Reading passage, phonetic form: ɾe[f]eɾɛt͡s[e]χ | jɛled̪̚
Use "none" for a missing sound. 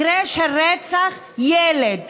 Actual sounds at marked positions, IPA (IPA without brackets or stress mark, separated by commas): ʃ, a